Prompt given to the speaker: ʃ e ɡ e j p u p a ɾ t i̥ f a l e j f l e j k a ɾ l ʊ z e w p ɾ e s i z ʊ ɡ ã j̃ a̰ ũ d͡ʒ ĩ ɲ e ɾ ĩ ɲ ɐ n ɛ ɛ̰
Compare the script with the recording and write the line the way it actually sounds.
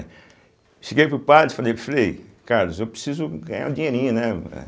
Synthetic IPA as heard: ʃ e ɡ e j p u p a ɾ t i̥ f a l e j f l e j k a ɾ l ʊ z e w p ɾ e s i z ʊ ɡ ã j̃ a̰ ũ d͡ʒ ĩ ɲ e ɾ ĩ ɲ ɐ n ɛ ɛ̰